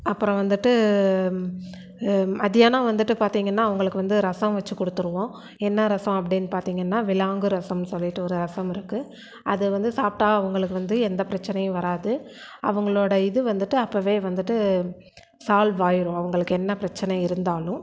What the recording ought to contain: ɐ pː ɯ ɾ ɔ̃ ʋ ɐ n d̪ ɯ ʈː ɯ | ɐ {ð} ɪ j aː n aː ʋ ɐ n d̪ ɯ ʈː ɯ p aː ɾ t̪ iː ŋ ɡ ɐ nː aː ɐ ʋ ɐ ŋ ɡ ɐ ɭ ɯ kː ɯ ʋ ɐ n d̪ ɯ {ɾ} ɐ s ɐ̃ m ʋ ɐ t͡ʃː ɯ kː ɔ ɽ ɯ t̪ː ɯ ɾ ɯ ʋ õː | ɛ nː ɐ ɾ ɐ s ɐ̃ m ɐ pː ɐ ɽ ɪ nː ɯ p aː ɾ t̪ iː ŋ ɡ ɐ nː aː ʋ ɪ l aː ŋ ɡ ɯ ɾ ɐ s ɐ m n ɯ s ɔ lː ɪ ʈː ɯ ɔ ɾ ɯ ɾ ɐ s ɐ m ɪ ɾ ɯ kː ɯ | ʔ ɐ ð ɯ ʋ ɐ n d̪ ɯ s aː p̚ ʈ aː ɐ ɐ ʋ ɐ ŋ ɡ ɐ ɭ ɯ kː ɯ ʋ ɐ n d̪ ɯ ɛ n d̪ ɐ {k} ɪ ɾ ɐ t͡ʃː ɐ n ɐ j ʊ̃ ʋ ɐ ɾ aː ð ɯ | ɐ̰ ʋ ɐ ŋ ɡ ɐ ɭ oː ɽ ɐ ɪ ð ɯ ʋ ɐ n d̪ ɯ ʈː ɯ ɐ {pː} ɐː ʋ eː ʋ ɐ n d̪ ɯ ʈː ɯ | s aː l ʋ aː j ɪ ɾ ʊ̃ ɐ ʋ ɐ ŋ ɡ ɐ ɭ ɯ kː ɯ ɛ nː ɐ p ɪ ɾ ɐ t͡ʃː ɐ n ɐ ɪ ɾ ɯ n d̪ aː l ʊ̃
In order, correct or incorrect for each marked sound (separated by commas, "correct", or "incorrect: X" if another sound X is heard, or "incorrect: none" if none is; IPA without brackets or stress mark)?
correct, correct, incorrect: p, correct